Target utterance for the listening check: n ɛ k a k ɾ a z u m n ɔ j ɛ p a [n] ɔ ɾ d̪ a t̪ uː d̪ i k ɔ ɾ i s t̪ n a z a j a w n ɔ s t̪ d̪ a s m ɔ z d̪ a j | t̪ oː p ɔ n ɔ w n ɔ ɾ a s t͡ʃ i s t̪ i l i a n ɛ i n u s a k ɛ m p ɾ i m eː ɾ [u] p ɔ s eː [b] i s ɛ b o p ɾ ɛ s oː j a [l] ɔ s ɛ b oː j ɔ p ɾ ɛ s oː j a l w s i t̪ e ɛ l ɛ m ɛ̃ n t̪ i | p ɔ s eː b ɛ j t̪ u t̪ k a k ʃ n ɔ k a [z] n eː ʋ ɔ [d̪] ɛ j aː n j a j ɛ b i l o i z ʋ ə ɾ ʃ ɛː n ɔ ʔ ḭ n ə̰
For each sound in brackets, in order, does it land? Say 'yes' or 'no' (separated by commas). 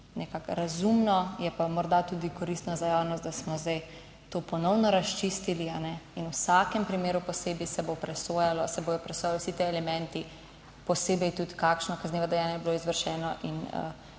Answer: no, yes, yes, yes, yes, yes